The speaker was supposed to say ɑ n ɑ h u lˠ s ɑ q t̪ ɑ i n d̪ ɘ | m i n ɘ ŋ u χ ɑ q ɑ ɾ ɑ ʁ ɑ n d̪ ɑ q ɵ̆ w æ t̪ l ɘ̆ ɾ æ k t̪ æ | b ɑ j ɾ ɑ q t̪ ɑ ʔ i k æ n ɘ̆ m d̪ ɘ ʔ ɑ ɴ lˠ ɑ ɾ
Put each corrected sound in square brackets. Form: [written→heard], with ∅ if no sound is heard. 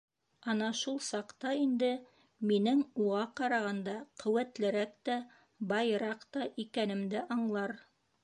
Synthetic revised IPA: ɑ n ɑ [h→ʃ] u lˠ s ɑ q t̪ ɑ i n d̪ ɘ | m i n ɘ ŋ u [χ→ʁ] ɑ q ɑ ɾ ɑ ʁ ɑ n d̪ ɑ q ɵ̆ w æ t̪ l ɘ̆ ɾ æ k t̪ æ | b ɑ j ɾ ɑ q t̪ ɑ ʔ i k æ n ɘ̆ m d̪ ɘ ʔ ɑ ɴ lˠ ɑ ɾ